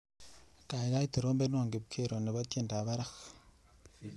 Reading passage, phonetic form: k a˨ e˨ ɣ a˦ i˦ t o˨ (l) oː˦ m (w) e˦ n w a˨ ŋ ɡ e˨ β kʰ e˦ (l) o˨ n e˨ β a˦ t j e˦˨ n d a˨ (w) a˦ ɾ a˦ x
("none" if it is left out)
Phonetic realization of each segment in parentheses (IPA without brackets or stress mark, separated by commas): ɾ, b, ɾ, β